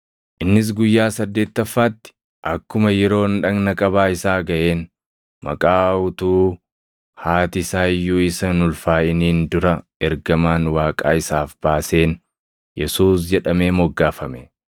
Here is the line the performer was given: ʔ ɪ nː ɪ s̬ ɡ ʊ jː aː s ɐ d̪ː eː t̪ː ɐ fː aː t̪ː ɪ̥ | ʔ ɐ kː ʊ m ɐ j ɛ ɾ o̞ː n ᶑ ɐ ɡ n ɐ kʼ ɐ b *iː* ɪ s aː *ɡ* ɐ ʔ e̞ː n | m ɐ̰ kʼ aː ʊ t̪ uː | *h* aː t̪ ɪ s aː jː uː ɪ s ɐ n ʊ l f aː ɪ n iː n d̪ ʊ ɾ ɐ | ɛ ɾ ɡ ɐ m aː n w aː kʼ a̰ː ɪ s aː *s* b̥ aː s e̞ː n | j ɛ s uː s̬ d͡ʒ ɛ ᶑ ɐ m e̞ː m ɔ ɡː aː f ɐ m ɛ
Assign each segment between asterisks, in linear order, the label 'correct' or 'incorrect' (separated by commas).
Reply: incorrect, correct, correct, incorrect